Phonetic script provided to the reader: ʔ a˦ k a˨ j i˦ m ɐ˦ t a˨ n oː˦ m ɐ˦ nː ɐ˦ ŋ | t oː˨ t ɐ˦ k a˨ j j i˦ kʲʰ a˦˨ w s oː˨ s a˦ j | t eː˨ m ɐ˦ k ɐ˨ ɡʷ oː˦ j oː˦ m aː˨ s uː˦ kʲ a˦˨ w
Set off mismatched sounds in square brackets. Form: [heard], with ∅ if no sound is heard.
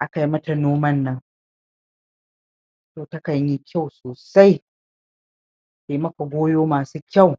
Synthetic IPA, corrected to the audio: ʔ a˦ k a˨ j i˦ m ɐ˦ t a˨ n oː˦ m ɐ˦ nː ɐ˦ ŋ | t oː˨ t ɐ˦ k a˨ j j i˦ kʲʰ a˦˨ w s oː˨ s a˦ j | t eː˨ m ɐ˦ k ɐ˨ ɡʷ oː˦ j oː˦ m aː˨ s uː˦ kʲ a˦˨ w